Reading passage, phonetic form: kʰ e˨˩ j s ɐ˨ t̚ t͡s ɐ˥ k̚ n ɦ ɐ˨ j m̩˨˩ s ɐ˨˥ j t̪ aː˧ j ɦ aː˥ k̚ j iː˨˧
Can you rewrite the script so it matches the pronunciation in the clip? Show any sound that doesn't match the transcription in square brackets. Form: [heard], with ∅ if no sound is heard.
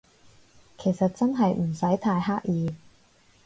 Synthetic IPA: kʰ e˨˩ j s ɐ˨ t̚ t͡s ɐ˥ [∅] n ɦ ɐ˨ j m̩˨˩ s ɐ˨˥ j [t̪ʰ] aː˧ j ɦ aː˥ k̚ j iː˨˧